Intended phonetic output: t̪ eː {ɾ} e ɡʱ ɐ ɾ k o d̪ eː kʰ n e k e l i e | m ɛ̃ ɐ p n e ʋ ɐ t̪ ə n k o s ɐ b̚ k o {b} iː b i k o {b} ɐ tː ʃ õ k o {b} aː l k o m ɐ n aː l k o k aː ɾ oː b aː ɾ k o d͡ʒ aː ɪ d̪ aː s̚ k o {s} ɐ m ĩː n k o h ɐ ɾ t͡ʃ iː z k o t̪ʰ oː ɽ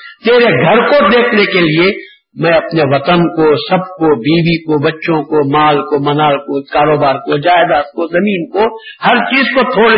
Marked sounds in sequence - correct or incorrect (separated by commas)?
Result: correct, correct, correct, incorrect, incorrect